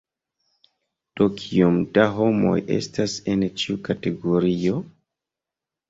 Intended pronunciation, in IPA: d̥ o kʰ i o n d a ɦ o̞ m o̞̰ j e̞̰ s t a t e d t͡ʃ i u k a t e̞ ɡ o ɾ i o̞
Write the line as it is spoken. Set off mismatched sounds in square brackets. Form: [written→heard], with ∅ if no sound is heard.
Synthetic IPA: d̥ o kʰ i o [n→m] d a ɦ o̞ m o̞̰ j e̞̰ s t a [t→s] e [d→n] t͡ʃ i u k a t e̞ ɡ o ɾ i o̞

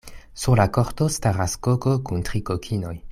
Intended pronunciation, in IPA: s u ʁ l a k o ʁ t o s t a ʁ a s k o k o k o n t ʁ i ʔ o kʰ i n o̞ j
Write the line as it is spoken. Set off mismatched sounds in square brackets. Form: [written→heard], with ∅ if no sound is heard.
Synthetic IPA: s u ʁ l a k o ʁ t o s t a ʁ a s k o k o k [o→u] n t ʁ i [ʔ→k] o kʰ i n o̞ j

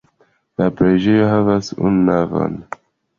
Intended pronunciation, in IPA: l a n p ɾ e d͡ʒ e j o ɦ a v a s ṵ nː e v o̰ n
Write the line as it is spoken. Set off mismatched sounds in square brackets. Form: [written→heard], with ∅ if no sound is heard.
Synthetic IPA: l a [n→∅] p ɾ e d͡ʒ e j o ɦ a v a s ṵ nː [e→a] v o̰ n

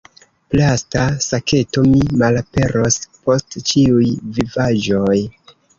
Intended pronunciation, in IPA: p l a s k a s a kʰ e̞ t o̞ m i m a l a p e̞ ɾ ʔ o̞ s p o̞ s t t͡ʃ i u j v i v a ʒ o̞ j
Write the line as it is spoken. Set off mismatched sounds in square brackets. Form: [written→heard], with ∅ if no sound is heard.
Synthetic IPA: p l a s [k→t] a s a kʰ e̞ t o̞ m i m a l a p e̞ ɾ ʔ o̞ s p o̞ s t t͡ʃ i u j v i v a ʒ o̞ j

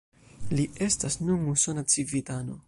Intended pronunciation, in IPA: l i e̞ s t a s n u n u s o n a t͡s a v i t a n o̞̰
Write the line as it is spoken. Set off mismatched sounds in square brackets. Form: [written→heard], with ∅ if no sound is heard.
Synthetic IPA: l i e̞ s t a s n u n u s o n a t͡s [a→i] v i t a n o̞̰

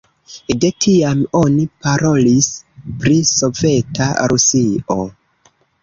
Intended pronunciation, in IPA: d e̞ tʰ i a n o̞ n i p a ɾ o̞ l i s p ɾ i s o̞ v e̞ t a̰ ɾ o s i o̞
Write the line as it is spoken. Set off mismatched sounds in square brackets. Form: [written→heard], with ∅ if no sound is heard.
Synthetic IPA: d e̞ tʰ i a [n→m] o̞ n i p a ɾ o̞ l i s p ɾ i s o̞ v e̞ t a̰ ɾ [o→u] s i o̞

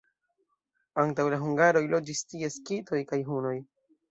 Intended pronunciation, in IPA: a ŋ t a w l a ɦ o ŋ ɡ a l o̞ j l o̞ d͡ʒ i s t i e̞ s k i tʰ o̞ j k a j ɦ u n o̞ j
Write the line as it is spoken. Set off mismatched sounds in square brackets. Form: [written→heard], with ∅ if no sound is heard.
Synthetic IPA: a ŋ t a w l a ɦ [o→u] ŋ ɡ a [l→ɾ] o̞ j l o̞ d͡ʒ i s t i e̞ s k i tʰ o̞ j k a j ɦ u n o̞ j

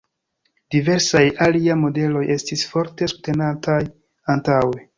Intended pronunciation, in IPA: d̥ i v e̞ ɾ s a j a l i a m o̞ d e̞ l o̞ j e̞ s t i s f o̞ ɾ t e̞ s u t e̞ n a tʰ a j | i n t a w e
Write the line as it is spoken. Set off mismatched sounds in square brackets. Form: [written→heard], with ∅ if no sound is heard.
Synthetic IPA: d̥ i v e̞ ɾ s a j a l i a m o̞ d e̞ l o̞ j e̞ s t i s f o̞ ɾ t e̞ s u t e̞ n a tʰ a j | [i→a] n t a w e

